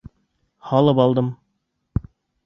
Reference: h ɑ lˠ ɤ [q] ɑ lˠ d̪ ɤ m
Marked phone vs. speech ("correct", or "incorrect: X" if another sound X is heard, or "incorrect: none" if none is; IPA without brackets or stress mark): incorrect: p